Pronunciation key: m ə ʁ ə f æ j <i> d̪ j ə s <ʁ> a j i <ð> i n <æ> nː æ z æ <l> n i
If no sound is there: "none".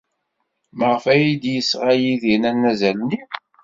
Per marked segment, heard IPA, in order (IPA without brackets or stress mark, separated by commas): i, ʁ, ð, æ, l